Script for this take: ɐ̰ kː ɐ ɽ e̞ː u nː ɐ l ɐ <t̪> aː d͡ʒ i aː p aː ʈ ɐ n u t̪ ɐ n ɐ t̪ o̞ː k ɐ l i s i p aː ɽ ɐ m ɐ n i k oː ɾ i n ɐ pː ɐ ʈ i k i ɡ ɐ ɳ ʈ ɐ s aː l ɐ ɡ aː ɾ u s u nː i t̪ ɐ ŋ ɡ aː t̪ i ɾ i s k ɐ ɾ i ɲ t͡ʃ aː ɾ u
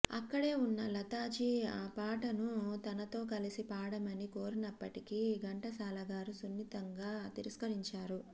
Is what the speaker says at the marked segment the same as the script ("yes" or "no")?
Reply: yes